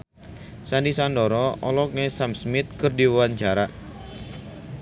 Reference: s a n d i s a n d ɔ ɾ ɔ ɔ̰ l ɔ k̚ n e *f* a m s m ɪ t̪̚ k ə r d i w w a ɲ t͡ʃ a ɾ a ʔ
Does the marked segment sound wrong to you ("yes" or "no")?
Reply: yes